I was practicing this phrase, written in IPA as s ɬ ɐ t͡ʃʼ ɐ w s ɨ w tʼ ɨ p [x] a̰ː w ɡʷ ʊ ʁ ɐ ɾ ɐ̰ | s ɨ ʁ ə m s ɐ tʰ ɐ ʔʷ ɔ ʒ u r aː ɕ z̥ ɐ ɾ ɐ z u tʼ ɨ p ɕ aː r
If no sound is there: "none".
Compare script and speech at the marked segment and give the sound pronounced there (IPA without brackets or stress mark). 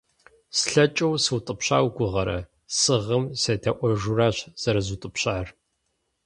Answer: ɕ